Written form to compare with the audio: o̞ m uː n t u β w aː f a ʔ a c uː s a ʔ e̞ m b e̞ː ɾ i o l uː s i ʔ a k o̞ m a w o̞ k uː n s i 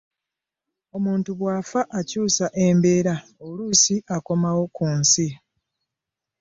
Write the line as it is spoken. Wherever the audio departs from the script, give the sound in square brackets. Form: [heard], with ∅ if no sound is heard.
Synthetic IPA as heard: o̞ m uː n t u β w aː f a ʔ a c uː s a ʔ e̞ m b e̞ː ɾ [a] o l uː s i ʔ a k o̞ m a w o̞ k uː n s i

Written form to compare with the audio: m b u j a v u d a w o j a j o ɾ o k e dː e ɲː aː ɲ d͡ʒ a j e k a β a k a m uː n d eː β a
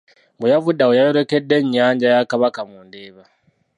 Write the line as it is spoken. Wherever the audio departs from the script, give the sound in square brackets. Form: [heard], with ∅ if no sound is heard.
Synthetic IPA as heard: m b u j a v u d a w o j a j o ɾ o k e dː e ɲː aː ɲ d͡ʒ a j [a] k a β a k a m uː n d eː β a

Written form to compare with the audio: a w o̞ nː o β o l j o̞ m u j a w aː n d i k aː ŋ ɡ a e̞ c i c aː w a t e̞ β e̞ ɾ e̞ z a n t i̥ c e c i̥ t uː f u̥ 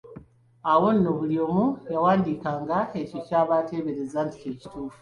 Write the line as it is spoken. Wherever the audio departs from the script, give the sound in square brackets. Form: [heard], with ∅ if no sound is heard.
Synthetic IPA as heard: a w o̞ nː o β [u] l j o̞ m u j a w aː n d i k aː ŋ ɡ a e̞ c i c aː [β] a t e̞ β e̞ ɾ e̞ z a n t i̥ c e c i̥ t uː f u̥

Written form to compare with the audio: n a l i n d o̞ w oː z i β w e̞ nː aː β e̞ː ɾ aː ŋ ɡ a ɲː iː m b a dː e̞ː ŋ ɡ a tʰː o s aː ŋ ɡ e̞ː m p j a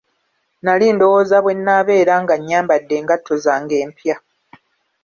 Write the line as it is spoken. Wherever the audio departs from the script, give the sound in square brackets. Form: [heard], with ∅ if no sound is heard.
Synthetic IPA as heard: n a l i n d o̞ w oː z [a] β w e̞ nː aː β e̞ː ɾ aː ŋ ɡ a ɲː [aː] m b a dː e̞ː ŋ ɡ a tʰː o [z] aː ŋ ɡ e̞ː m p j a

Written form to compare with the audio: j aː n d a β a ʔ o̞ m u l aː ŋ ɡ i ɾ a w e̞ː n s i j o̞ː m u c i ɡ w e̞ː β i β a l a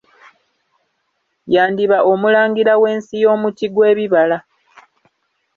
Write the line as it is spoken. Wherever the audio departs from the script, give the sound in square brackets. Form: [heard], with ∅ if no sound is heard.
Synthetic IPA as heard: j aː n d [i] β a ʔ o̞ m u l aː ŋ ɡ i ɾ a w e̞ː n s i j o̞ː m u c i ɡ w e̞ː β i β a l a

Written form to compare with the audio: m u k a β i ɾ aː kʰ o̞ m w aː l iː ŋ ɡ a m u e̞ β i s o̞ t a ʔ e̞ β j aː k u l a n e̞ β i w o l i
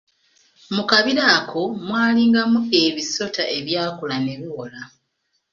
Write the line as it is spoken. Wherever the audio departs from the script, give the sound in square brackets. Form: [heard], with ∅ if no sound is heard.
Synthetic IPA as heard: m u k a β i ɾ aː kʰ o̞ m w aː l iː ŋ ɡ a m u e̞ β i s o̞ t a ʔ e̞ β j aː k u l a n e̞ β i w o l [a]

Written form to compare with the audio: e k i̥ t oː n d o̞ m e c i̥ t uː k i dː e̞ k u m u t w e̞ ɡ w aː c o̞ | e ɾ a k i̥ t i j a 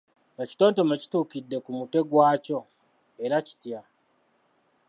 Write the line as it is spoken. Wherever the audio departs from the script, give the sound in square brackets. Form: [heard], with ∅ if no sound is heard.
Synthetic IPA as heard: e [c] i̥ t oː n [t] o̞ m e c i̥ t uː k i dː e̞ k u m u t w e̞ ɡ w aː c o̞ | e ɾ a [c] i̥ t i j a

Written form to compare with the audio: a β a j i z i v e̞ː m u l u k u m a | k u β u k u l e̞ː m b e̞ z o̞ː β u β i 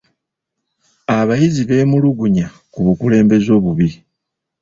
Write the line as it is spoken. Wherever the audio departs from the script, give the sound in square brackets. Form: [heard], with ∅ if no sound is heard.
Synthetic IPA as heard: a β a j i z i [β] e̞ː m u l u [ɡ] u [ɲ] a | k u β u k u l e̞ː m b e̞ z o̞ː β u β i

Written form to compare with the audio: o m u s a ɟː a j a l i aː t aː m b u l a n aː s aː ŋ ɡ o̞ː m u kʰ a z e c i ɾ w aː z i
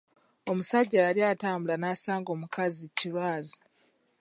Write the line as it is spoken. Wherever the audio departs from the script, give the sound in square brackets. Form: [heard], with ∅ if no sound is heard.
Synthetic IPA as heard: o m u s a ɟː a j a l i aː t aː m b u l a n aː s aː ŋ ɡ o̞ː m u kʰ a z [i] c i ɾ w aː z i

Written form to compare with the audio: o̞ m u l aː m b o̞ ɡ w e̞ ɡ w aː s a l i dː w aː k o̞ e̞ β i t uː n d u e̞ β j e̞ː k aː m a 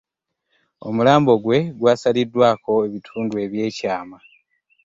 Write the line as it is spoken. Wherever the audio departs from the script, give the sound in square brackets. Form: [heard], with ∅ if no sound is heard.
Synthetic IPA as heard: o̞ m u l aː m b o̞ ɡ w e̞ ɡ w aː s a l i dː w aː k o̞ e̞ β i [tʰ] uː n d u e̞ β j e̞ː [c] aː m a

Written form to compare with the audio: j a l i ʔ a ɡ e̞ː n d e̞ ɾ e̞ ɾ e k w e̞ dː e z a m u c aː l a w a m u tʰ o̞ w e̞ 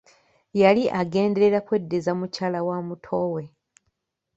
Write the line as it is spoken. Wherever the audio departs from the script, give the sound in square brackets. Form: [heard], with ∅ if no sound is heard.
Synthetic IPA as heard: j a l i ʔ a ɡ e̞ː n d e̞ ɾ e̞ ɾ [a] k w e̞ dː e z a m u c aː l a w a m u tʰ o̞ w e̞

